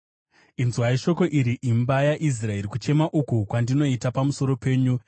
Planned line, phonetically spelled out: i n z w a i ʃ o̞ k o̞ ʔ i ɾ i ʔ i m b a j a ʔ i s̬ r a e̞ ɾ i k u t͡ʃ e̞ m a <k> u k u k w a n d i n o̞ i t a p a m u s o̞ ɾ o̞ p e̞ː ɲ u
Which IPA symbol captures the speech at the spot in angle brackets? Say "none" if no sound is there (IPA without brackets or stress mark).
ʔ